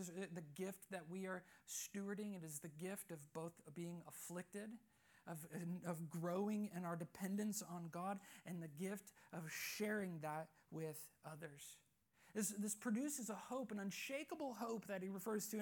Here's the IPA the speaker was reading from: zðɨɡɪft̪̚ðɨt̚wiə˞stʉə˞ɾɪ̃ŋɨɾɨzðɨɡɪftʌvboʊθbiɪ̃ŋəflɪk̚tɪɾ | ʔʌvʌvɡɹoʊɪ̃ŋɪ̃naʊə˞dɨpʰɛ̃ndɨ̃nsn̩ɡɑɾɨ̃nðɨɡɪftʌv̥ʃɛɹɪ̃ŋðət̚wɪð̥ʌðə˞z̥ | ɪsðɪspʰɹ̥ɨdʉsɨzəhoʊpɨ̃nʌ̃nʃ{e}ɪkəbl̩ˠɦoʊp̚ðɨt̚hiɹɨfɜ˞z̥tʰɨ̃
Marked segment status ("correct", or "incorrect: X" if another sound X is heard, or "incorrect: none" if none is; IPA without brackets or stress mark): correct